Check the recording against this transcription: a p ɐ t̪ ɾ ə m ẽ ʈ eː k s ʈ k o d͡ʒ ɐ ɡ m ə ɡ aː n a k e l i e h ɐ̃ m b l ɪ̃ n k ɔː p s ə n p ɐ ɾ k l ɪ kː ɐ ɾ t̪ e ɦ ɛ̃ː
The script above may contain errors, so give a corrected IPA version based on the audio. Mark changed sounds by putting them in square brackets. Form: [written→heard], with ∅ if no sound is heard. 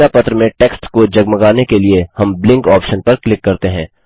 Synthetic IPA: a p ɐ t̪ ɾ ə m ẽ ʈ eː k s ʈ k o d͡ʒ ɐ ɡ m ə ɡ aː n [a→e] k e l i e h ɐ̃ m b l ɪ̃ [n→ŋ] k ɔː p [s→ʃ] ə n p ɐ ɾ k l ɪ kː ɐ ɾ t̪ e ɦ ɛ̃ː